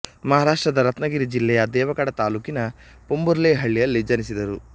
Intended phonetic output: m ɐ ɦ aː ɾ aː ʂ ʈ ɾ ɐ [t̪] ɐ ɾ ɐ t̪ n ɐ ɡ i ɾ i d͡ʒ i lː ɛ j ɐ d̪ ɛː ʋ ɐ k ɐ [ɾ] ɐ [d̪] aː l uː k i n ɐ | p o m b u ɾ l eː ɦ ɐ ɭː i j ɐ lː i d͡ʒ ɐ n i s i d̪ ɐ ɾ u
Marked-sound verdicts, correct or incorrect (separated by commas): incorrect, incorrect, incorrect